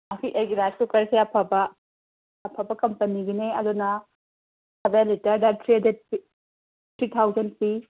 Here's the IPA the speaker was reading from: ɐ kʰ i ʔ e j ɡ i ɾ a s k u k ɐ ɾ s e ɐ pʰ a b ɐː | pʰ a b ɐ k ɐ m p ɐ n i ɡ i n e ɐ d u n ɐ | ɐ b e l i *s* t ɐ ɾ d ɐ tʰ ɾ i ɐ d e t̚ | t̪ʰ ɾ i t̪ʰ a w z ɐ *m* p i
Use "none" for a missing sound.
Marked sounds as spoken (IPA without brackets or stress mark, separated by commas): none, n